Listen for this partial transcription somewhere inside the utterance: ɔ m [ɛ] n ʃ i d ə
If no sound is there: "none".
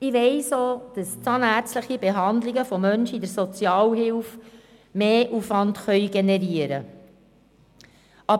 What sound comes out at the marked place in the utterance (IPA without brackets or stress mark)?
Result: œ